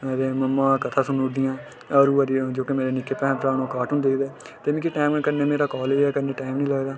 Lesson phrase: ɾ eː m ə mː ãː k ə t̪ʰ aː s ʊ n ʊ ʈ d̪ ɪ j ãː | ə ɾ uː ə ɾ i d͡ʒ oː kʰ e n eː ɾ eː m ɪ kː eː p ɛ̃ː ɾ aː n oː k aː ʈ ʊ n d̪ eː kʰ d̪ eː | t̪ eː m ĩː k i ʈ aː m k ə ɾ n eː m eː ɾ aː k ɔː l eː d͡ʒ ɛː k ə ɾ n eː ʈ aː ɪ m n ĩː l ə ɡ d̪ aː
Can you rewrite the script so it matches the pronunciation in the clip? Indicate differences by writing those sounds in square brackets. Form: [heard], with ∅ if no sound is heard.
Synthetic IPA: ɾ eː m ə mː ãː k ə t̪ʰ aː s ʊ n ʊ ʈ d̪ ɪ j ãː | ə ɾ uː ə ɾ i d͡ʒ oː [k] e [m] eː ɾ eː [n] ɪ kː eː p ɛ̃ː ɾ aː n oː k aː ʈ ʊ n d̪ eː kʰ d̪ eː | t̪ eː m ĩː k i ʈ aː m k ə ɾ n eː m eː ɾ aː k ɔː l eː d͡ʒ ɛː k ə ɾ n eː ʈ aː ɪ m n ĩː l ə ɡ d̪ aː

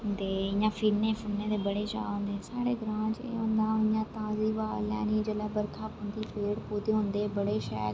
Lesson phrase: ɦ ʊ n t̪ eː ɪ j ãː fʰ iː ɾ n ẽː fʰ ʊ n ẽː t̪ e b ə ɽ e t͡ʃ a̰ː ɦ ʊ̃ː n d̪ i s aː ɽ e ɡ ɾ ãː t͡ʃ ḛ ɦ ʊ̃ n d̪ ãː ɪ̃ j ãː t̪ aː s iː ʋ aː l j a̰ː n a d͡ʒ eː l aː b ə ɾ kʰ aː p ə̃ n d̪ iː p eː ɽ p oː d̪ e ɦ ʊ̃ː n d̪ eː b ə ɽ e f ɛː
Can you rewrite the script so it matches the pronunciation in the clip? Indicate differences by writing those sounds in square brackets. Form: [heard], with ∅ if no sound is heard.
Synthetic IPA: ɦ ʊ n [d̪] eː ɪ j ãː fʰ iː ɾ n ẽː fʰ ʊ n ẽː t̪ e b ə ɽ e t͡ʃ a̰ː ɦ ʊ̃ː n d̪ [e] s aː ɽ e ɡ ɾ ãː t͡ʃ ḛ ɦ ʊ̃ n d̪ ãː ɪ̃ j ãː t̪ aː [z] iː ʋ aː l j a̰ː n [i] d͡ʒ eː l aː b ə ɾ kʰ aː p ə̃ n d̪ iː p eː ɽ p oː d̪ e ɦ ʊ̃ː n d̪ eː b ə ɽ e [ʃ] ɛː

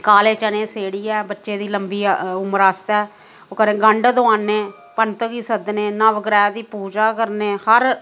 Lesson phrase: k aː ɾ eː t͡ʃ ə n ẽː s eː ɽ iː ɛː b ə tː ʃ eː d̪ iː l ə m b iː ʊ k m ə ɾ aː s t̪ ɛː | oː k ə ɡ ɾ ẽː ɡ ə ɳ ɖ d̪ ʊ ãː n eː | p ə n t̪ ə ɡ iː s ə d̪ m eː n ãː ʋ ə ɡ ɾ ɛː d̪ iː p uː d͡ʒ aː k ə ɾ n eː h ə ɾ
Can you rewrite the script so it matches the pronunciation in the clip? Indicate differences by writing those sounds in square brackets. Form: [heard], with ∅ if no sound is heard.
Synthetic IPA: k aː [l] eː t͡ʃ ə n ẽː s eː ɽ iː ɛː b ə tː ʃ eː d̪ iː l ə m b iː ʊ [∅] m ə ɾ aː s t̪ ɛː | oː k ə [∅] ɾ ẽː ɡ ə ɳ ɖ d̪ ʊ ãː n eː | p ə n t̪ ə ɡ iː s ə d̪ [n] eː n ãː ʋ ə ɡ ɾ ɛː d̪ iː p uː d͡ʒ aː k ə ɾ n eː h ə ɾ

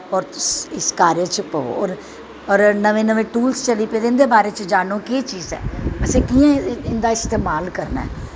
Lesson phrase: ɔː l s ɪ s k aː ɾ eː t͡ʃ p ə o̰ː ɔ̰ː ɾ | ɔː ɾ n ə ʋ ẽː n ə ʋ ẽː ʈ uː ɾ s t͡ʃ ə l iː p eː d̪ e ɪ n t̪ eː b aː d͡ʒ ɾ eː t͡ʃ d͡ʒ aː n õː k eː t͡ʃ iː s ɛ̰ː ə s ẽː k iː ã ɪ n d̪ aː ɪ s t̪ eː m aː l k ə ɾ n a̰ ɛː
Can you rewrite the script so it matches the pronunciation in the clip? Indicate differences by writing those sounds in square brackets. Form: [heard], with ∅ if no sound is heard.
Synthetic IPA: ɔː [ɾ] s ɪ s k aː ɾ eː t͡ʃ p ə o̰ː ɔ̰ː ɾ | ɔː ɾ n ə ʋ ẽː n ə ʋ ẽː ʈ uː [l] s t͡ʃ ə l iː p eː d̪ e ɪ n [d̪] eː b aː [∅] ɾ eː t͡ʃ d͡ʒ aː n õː k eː t͡ʃ iː [z] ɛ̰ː ə s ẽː k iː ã ɪ n d̪ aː ɪ s t̪ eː m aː l k ə ɾ n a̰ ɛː

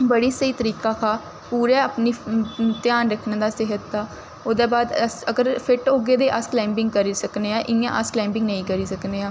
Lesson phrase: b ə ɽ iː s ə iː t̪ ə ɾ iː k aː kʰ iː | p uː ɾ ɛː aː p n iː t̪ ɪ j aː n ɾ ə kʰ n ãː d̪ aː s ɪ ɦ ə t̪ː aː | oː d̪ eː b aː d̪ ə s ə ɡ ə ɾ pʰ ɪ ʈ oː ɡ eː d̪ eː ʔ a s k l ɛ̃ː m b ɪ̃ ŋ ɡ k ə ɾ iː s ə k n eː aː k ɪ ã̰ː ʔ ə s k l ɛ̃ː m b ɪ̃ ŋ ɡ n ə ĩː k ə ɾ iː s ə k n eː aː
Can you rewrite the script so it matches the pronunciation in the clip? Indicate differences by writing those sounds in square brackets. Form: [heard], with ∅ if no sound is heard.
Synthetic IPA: b ə ɽ iː s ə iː t̪ ə ɾ iː k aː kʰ [aː] | p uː ɾ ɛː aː p n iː t̪ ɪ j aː n ɾ ə kʰ n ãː d̪ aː s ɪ ɦ ə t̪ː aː | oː d̪ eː b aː d̪ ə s ə ɡ ə ɾ pʰ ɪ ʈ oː ɡ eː d̪ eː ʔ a s k l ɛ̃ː m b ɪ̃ ŋ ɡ k ə ɾ iː s ə k n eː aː [ʔ] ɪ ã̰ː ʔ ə s k l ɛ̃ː m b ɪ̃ ŋ ɡ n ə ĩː k ə ɾ iː s ə k n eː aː

